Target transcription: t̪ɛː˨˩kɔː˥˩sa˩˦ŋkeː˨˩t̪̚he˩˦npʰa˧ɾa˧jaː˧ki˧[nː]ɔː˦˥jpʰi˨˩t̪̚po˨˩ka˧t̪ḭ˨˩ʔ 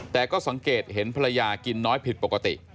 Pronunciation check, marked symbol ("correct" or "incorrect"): correct